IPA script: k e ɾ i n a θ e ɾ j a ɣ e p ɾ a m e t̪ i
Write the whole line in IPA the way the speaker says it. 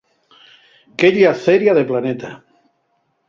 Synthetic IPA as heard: k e ʎ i a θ e ɾ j a ð e p l a n e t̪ a

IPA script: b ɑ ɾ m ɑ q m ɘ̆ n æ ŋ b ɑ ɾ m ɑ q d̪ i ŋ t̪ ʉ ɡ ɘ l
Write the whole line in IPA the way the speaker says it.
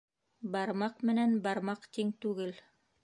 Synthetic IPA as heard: b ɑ ɾ m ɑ q m ɘ̆ n æ n b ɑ ɾ m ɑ q t̪ i ŋ t̪ ʉ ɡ ɘ l

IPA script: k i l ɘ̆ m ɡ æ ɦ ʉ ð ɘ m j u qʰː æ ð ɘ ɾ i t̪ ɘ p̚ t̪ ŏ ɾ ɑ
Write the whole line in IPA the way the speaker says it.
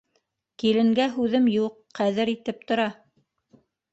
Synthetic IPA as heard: k i l ɘ̆ ŋ ɡ æ ɦ ʉ ð ɘ m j u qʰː æ ð ɘ ɾ i t̪ ɘ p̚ t̪ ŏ ɾ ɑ

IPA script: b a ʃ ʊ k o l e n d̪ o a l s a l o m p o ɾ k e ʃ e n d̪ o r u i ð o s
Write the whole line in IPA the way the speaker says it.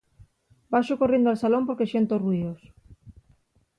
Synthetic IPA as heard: b a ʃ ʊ k o r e n d̪ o a l s a l o m p o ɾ k e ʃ e n t̪ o r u i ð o s

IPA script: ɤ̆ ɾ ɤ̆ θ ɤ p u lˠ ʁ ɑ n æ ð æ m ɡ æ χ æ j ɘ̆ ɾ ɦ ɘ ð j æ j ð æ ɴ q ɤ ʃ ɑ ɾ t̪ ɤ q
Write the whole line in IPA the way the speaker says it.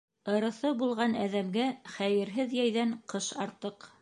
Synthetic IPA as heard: ɤ̆ ɾ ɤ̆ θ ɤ b u lˠ ʁ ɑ n æ ð æ m ɡ æ χ æ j ɘ̆ ɾ ɦ ɘ ð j æ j ð æ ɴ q ɤ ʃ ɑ ɾ t̪ ɤ q

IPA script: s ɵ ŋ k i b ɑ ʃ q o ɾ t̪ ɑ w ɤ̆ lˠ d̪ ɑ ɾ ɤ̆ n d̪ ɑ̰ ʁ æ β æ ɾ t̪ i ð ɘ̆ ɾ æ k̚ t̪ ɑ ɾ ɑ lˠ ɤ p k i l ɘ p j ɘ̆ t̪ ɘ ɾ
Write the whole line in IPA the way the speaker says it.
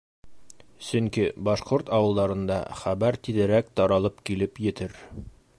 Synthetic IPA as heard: s ɵ ŋ k i b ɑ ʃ q o ɾ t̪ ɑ w ɤ̆ lˠ d̪ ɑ ɾ ɤ̆ n d̪ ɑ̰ χ æ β æ ɾ t̪ i ð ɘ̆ ɾ æ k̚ t̪ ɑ ɾ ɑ lˠ ɤ p k i l ɘ p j ɘ̆ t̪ ɘ ɾ

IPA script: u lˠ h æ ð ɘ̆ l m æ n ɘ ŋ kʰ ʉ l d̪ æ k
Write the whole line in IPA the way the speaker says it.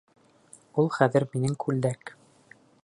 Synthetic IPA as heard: u lˠ χ æ ð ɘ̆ ɾ m i n ɘ ŋ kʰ ʉ l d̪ æ k

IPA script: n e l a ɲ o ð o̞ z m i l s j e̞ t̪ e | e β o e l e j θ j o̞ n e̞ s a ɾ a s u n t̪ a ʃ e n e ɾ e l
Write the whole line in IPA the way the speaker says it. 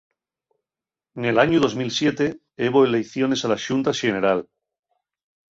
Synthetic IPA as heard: n e l a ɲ u ð o̞ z m i l s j e̞ t̪ e | e β o e l e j θ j o̞ n e̞ s a l a ʃ u n t̪ a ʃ e n e ɾ a l

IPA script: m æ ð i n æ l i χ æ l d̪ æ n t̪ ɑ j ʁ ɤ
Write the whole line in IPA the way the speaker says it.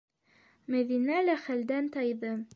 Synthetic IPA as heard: m æ ð i n æ l æ χ æ l d̪ æ n t̪ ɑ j ð ɤ

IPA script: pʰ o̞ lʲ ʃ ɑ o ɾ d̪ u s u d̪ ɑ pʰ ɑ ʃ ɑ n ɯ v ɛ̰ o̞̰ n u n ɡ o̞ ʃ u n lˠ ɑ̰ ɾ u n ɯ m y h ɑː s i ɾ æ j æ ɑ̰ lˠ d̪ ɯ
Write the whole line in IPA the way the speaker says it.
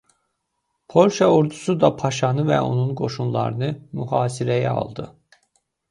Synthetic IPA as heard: pʰ o̞ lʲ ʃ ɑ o ɾ d̪ u s u d̪ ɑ pʰ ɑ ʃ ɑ n ɯ v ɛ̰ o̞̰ n u n ɡ o̞ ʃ u n lˠ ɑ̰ ɾ ɯ n ɯ m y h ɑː s i ɾ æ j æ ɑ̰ lˠ d̪ ɯ

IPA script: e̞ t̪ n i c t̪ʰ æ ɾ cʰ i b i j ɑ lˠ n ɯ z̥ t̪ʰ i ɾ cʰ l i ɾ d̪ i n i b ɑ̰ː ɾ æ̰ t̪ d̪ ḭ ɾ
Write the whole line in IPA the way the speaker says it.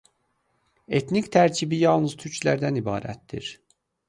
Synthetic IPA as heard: e̞ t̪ n i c t̪ʰ æ ɾ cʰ i b i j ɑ lˠ n ɯ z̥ t̪ʰ y ɾ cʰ l æ ɾ d̪ æ n i b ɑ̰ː ɾ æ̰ t̪ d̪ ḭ ɾ

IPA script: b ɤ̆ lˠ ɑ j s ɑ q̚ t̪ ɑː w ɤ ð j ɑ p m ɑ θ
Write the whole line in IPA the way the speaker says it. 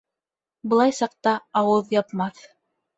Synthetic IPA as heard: b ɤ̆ lˠ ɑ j s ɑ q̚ t̪ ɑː w ɤ ð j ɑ p m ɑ θ

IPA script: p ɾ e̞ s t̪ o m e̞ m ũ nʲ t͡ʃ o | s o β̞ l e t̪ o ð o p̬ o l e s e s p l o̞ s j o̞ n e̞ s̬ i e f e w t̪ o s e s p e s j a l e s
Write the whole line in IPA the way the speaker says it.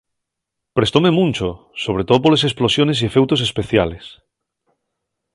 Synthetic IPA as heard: p ɾ e̞ s t̪ o m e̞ m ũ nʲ t͡ʃ o | s o β̞ ɾ e t̪ o ð o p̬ o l e s e s p l o̞ s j o̞ n e̞ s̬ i e f e w t̪ o s e s p e θ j a l e s

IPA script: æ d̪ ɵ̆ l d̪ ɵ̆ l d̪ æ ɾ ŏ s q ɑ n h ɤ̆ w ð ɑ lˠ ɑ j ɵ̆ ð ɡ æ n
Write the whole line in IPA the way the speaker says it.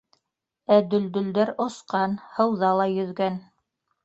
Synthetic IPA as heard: æ d̪ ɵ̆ l d̪ ɵ̆ l d̪ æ ɾ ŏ s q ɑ n h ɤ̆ w ð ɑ lˠ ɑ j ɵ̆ ð ɡ æ n

